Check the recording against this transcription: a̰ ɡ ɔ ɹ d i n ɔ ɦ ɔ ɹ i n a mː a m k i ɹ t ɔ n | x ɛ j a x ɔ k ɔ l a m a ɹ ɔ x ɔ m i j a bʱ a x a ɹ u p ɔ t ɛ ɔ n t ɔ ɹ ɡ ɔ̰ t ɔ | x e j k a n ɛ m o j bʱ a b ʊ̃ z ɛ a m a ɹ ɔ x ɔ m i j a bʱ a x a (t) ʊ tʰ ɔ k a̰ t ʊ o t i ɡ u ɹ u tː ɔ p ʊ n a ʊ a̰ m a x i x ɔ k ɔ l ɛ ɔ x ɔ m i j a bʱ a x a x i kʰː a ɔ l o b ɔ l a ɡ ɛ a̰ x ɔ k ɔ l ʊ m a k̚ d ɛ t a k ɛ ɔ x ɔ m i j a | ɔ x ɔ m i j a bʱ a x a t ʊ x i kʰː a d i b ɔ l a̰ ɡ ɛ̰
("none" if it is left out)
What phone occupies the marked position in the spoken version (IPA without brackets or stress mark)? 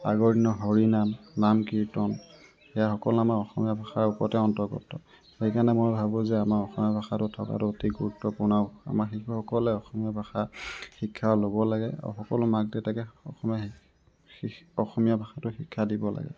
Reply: t